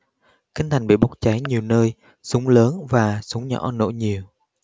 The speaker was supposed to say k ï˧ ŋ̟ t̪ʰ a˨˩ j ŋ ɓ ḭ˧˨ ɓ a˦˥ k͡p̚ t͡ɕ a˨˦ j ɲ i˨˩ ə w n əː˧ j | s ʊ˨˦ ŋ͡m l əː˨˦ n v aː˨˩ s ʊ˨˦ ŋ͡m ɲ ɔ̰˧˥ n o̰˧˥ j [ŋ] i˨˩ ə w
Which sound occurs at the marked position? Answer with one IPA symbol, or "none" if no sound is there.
ɲ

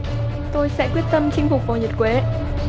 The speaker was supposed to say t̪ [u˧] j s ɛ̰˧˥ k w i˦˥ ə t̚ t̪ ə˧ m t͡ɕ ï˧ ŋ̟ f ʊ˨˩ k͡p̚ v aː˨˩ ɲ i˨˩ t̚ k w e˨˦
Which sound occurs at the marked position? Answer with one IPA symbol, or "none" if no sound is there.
o˧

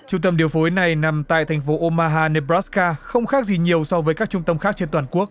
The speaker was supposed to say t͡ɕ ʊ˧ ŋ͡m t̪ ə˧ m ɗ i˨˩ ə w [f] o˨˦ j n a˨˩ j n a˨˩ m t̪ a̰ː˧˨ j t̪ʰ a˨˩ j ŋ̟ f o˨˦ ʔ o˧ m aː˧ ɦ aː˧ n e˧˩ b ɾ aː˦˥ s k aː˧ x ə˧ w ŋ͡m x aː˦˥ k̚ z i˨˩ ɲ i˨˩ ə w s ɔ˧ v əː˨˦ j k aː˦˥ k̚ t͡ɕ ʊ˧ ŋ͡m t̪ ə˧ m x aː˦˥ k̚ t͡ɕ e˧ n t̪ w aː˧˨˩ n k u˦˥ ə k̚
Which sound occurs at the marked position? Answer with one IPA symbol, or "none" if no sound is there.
f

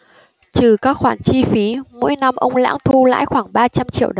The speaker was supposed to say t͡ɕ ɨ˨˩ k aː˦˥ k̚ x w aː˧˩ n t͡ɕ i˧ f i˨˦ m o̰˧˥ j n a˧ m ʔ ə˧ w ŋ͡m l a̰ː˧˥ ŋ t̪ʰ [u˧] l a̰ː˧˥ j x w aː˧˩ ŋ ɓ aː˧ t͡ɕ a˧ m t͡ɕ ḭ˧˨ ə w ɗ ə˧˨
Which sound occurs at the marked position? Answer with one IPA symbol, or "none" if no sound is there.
u˧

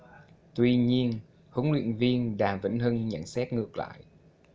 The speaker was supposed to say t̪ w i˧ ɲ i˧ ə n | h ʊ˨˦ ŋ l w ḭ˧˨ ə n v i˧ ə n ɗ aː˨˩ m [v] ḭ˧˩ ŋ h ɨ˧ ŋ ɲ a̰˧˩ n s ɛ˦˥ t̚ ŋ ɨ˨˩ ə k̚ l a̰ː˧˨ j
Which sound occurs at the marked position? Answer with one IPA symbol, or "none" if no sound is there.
v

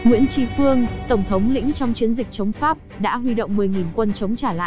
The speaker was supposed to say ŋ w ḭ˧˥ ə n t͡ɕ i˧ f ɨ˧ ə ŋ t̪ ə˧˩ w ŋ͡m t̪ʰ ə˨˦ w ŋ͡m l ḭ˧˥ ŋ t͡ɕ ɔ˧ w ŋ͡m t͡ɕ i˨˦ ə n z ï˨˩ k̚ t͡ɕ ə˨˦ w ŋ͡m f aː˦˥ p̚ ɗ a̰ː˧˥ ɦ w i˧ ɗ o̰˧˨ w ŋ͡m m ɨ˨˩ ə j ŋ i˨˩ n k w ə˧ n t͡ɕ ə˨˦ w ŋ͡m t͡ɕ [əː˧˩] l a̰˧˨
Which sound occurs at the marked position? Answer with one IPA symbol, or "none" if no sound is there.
aː˧˩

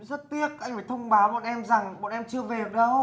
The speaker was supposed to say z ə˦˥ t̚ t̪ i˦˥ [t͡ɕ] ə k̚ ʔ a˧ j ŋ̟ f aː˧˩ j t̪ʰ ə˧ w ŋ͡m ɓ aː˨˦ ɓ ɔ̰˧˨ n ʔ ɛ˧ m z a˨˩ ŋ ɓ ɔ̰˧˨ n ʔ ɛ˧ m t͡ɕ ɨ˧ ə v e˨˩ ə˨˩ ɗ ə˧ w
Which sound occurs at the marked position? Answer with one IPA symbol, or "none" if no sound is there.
none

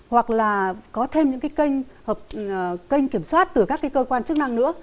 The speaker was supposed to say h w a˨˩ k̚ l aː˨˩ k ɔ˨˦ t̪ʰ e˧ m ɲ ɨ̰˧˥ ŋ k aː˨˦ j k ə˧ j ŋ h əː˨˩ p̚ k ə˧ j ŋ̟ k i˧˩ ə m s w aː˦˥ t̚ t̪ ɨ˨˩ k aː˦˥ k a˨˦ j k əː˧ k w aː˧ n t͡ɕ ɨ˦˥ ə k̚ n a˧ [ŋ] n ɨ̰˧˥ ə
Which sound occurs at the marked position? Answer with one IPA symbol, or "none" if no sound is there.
ŋ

